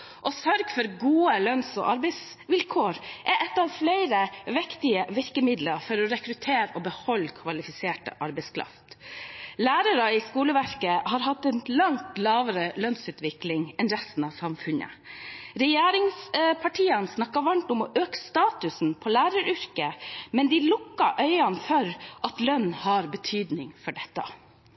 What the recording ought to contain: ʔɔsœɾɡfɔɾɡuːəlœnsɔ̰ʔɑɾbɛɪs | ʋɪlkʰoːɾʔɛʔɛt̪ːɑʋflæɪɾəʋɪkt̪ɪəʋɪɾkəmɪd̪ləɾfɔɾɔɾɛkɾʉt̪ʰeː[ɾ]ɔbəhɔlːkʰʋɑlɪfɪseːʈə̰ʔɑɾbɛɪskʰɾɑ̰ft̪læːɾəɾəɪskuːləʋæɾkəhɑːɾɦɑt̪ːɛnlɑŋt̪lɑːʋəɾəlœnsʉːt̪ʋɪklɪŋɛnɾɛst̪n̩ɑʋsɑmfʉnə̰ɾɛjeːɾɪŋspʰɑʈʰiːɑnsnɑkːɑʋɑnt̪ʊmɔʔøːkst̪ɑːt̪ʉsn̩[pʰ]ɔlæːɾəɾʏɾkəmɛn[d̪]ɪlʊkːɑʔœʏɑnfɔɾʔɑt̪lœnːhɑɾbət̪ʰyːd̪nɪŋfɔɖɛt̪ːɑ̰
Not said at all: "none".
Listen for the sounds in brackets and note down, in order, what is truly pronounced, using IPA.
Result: ɾ, pʰ, d̪

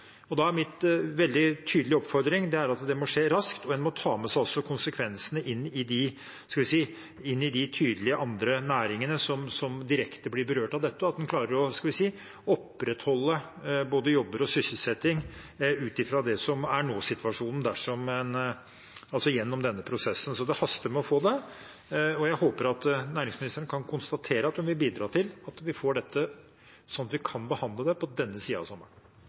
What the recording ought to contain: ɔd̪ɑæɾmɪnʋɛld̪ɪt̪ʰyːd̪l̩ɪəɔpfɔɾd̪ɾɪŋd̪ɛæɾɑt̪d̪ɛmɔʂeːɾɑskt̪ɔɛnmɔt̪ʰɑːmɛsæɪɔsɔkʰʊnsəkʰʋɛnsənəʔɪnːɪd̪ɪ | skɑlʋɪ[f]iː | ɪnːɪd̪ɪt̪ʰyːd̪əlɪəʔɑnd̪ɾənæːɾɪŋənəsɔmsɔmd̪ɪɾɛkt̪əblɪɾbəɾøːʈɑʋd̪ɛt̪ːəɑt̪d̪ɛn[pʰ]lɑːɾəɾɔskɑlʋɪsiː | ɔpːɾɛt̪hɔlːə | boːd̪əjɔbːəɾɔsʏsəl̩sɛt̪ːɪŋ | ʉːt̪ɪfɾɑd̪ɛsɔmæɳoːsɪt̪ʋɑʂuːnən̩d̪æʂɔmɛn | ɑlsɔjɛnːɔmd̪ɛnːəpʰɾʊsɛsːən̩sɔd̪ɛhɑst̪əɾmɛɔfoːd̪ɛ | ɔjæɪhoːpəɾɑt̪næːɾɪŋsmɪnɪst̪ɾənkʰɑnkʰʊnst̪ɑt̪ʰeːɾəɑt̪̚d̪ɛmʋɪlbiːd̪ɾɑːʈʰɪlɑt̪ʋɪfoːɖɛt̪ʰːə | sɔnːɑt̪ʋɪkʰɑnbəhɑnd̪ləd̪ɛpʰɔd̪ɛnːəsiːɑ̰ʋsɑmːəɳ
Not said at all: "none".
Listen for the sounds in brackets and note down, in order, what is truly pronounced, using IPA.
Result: s, kʰ

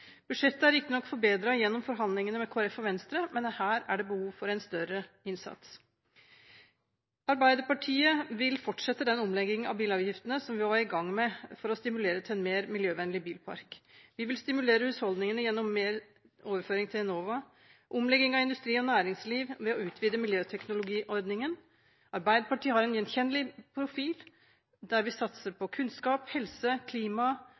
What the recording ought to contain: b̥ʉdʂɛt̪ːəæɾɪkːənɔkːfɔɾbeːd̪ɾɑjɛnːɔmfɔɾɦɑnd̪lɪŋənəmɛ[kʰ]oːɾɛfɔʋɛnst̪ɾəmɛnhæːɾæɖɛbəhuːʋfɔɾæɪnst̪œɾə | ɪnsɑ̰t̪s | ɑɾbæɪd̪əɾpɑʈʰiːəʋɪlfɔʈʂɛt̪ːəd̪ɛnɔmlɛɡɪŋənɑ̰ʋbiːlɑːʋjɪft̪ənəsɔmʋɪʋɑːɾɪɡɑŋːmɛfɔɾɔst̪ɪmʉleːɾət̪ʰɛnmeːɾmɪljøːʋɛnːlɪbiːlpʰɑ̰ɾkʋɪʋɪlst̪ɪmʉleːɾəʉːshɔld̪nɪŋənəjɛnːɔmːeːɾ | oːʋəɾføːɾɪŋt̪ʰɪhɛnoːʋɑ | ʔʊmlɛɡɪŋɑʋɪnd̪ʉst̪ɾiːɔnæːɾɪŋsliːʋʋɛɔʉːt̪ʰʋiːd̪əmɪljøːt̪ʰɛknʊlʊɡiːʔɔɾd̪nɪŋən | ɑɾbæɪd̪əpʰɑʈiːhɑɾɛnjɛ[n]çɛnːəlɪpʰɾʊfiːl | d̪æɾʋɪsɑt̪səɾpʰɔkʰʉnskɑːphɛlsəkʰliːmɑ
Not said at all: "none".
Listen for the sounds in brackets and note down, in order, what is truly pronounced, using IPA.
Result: kʰ, n

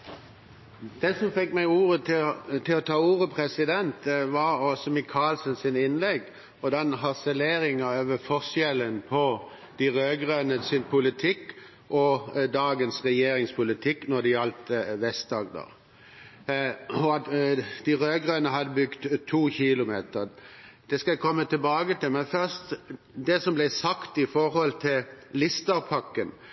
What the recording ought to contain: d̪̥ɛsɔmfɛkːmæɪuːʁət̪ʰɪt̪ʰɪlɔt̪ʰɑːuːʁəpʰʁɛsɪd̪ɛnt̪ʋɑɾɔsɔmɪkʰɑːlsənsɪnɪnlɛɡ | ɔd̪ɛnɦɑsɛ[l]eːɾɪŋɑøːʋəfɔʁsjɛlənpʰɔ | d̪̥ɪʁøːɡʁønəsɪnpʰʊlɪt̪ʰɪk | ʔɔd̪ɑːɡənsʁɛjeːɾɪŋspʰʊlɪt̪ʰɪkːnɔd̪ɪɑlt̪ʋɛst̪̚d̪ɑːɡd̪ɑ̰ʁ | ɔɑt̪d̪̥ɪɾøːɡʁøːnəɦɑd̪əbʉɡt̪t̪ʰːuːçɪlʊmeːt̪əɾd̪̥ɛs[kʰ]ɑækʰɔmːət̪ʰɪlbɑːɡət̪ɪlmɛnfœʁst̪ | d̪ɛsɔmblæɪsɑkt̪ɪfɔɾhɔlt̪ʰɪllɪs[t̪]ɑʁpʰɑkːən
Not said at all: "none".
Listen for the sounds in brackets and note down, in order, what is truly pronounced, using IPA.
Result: l, k, t̪

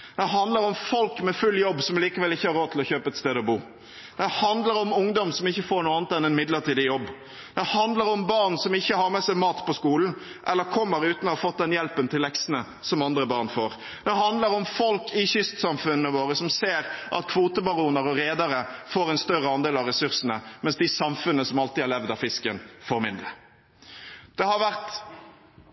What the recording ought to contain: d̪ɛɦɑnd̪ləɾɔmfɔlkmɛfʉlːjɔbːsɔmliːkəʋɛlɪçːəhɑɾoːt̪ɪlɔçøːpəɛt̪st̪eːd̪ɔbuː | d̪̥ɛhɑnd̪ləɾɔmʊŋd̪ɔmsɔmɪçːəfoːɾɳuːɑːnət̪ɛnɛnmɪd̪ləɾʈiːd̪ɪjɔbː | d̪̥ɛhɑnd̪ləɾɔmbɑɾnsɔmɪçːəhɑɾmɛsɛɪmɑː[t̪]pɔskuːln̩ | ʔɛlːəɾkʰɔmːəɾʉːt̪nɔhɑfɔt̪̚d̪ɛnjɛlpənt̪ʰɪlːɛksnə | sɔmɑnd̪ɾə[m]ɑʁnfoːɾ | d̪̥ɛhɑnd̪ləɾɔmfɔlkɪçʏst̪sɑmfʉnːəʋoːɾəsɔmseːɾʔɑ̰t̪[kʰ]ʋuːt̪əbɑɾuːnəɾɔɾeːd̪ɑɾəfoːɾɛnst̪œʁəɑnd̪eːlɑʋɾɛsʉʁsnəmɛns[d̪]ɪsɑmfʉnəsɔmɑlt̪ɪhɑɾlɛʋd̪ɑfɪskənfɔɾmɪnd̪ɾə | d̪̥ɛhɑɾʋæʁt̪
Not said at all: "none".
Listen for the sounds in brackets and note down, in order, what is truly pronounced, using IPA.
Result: t̪, b, kʰ, d̪

